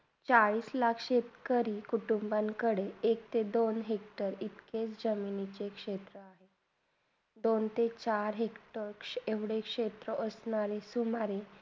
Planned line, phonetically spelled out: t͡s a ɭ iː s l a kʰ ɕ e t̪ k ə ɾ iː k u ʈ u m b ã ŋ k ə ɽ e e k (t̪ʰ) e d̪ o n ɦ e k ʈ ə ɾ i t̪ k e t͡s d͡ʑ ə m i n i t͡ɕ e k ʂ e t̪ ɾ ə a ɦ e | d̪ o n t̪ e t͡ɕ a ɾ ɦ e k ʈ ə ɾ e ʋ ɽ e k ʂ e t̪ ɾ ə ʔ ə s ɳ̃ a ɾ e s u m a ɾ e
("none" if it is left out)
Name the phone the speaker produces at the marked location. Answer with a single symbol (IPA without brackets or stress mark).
t̪